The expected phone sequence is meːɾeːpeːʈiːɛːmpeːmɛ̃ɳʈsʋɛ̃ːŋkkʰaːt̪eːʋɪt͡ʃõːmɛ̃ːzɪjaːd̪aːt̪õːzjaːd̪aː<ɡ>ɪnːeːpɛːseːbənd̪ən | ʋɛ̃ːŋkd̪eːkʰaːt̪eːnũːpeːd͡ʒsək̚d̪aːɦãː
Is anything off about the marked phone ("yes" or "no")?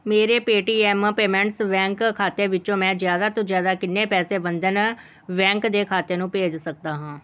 yes